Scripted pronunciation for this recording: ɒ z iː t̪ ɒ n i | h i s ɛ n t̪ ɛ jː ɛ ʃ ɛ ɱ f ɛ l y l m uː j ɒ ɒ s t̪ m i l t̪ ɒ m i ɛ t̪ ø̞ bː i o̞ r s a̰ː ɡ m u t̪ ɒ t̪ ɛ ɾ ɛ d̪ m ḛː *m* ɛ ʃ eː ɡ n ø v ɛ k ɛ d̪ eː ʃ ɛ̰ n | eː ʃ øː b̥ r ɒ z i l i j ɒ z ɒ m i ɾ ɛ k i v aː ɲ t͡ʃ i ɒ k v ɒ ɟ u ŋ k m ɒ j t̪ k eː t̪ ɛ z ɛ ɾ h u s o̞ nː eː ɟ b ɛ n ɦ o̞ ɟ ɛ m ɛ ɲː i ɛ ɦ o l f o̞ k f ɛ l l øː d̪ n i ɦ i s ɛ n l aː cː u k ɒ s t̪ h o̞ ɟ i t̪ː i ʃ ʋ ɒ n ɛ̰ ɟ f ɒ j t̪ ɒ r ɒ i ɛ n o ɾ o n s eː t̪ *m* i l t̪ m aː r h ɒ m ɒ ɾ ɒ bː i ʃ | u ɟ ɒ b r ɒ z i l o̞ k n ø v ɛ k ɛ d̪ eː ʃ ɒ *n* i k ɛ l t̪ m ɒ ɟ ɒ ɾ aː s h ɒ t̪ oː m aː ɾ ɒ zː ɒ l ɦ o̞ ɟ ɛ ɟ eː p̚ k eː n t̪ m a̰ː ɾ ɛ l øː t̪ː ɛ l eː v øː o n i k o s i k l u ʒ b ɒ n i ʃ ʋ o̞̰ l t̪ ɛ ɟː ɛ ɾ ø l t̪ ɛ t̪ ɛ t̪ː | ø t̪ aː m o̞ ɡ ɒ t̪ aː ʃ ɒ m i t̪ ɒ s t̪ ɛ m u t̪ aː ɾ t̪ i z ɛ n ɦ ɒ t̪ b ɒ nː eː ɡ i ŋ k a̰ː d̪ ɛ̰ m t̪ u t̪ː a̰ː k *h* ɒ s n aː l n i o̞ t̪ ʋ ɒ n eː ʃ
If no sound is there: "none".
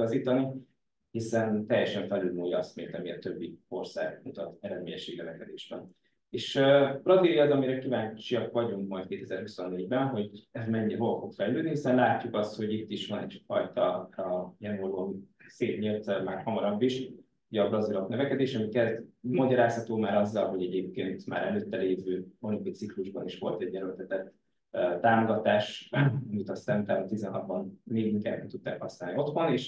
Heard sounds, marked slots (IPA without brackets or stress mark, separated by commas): ɲ, ɲ, m, h